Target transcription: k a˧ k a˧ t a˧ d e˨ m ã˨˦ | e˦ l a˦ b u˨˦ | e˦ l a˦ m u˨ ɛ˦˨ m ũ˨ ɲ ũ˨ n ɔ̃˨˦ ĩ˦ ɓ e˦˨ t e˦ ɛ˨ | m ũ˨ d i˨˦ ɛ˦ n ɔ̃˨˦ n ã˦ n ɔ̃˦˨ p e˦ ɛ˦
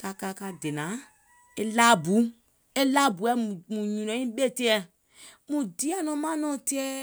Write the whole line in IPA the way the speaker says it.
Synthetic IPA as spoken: k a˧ k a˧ k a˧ d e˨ n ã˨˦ | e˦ l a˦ b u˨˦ | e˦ l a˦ b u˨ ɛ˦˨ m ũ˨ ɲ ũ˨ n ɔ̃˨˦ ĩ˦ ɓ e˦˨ t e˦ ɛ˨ | m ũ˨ d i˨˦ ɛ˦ n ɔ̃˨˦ m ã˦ n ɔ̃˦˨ t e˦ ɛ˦